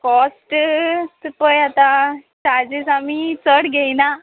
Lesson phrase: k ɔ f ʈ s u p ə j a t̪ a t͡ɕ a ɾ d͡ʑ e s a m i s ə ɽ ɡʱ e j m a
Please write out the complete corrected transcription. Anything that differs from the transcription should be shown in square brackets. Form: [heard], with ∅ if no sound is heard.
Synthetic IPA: k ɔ [s] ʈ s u p ə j a t̪ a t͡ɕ a ɾ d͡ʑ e s a m i [t͡s] ə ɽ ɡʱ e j [n] a